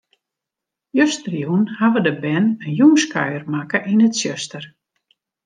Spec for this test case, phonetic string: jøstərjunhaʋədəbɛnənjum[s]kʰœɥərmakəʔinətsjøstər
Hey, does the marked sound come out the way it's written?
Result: yes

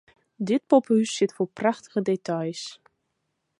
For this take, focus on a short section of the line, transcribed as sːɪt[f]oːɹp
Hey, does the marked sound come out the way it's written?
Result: yes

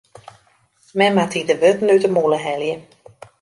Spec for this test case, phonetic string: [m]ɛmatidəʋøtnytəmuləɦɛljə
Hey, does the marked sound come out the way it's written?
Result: yes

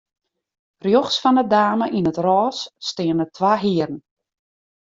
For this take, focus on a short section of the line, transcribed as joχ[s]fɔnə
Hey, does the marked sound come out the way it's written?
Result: yes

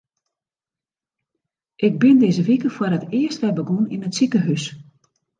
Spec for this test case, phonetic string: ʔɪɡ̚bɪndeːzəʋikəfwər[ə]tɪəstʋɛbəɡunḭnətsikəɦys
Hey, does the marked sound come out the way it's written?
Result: yes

